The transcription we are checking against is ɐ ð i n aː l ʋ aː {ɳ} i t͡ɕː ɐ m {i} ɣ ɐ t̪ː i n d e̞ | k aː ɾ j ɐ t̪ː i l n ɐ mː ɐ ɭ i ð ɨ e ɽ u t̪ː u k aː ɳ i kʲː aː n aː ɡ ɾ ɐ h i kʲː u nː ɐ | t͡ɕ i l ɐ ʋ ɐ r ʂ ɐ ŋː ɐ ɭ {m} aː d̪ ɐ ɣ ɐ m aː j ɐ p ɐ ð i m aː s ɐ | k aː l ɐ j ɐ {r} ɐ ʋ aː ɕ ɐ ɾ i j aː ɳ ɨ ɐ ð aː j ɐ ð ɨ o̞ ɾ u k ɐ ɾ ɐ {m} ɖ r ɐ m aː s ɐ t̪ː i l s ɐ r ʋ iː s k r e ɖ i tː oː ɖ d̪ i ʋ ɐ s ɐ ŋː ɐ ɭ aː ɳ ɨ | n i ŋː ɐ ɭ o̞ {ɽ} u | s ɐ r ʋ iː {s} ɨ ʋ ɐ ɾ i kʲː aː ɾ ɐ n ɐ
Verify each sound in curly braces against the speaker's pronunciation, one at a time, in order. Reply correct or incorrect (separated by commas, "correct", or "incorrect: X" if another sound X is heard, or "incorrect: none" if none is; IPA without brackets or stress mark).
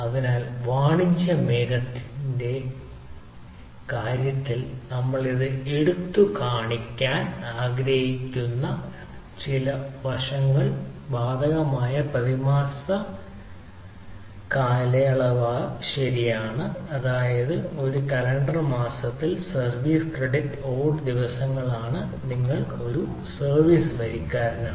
correct, incorrect: e, incorrect: b, incorrect: ɭ, incorrect: ɳ, incorrect: ɾ, correct